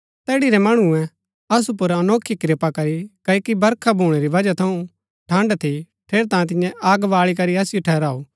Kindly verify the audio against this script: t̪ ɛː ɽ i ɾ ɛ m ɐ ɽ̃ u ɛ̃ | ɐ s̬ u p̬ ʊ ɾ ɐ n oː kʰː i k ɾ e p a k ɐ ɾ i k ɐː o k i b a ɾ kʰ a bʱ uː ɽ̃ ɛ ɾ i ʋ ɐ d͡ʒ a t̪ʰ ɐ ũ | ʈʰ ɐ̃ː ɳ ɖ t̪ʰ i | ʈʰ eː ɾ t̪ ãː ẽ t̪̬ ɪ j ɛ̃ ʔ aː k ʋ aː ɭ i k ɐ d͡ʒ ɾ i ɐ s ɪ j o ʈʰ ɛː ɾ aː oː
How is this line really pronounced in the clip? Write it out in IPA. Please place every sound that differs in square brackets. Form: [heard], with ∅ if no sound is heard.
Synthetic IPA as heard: t̪ ɛː ɽ i ɾ ɛ m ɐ ɽ̃ u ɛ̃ | ɐ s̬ u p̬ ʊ ɾ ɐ n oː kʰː i k ɾ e p a k ɐ ɾ i k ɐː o k i b [ɐ] ɾ kʰ a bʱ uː ɽ̃ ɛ ɾ i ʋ ɐ d͡ʒ a t̪ʰ ɐ ũ | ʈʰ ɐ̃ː ɳ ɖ t̪ʰ i | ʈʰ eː ɾ t̪ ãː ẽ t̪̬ ɪ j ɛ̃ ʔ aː [ɡ] ʋ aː ɭ i k ɐ [∅] ɾ i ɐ s ɪ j o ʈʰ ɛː ɾ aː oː